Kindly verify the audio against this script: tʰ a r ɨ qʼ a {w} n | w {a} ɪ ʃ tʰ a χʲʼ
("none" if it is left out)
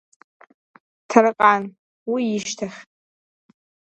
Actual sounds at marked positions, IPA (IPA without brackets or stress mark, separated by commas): none, i